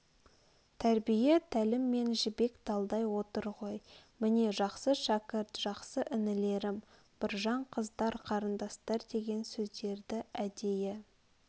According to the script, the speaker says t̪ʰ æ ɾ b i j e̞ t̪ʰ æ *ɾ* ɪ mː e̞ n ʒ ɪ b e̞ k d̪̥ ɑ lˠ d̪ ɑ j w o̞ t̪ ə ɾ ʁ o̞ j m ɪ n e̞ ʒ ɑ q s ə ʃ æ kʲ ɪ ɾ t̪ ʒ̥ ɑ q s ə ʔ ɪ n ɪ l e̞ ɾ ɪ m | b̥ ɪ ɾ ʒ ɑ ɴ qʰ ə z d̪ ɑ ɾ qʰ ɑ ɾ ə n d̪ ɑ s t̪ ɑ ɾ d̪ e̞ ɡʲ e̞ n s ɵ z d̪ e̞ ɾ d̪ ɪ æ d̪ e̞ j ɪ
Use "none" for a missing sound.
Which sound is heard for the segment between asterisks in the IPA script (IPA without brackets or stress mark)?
l